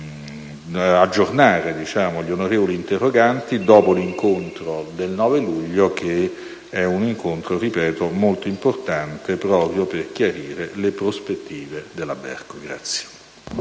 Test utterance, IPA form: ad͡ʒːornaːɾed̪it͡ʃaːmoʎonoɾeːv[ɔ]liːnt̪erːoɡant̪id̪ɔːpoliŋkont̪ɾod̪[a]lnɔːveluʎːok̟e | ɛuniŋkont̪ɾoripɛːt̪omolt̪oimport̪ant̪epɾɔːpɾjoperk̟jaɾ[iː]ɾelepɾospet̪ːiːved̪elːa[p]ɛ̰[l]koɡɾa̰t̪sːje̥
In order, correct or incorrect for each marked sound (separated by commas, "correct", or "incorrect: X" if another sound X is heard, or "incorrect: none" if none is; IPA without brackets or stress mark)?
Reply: incorrect: o, incorrect: e, correct, incorrect: b, incorrect: r